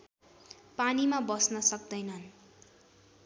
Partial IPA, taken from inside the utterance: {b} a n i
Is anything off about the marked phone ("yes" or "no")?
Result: yes